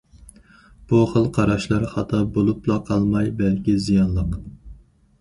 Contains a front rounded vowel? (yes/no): no